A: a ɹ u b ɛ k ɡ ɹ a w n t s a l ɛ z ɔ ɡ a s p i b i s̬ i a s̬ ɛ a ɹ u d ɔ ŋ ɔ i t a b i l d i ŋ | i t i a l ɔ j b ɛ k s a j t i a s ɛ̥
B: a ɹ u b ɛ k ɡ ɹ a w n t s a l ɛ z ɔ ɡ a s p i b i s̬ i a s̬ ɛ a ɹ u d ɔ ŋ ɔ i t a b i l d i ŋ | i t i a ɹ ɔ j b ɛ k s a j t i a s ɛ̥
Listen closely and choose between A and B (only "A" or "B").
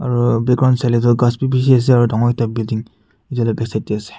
A